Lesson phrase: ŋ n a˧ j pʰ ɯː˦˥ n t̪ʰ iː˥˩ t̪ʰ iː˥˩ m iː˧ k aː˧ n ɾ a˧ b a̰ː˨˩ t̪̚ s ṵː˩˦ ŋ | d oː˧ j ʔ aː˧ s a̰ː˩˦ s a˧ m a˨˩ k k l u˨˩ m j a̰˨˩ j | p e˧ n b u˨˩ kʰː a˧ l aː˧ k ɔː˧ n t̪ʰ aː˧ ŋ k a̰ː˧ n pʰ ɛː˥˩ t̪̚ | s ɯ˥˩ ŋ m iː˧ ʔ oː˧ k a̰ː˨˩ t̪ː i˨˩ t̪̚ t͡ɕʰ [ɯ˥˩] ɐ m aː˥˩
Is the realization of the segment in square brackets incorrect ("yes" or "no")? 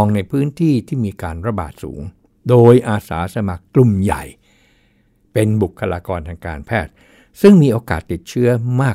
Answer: yes